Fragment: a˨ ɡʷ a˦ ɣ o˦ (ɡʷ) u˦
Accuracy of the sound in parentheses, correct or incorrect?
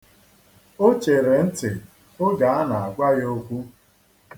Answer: incorrect